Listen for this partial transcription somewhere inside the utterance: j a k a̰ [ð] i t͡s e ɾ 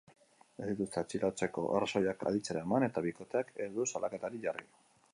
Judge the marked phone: correct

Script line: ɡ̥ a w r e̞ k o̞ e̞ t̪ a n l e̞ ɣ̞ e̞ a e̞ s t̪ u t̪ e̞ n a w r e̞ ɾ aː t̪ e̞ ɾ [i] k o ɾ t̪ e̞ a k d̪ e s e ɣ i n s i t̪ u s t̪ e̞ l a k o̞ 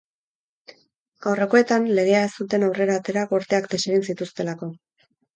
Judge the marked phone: incorrect: a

